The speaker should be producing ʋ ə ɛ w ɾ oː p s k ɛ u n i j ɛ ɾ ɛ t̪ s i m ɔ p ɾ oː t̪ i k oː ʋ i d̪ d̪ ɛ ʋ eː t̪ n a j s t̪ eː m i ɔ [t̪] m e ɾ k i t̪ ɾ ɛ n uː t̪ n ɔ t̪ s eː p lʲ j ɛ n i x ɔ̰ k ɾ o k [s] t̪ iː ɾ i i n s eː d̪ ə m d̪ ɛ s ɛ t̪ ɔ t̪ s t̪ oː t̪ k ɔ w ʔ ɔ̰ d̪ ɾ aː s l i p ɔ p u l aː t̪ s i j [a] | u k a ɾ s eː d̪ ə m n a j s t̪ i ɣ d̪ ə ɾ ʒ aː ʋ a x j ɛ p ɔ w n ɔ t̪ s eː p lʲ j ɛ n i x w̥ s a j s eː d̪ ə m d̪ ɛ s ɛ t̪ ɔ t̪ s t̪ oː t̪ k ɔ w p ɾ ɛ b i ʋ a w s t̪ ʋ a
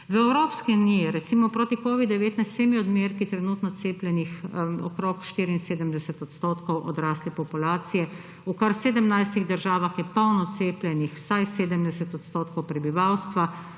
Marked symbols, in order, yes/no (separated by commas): no, no, no